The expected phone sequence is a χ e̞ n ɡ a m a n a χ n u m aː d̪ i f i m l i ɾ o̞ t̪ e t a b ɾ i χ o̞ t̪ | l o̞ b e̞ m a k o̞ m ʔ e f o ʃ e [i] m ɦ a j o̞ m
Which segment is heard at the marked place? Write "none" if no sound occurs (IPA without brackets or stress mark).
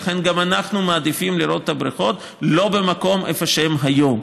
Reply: e